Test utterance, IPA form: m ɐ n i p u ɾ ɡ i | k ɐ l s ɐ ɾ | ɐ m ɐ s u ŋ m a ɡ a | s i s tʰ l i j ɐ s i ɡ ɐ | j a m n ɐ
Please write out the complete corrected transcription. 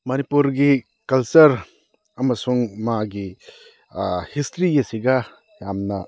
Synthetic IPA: m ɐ n i p u ɾ ɡ i | k ɐ l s ɐ ɾ | ɐ m ɐ s u ŋ m a ɡ i | h i s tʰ ɾ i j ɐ s i ɡ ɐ | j a m n ɐ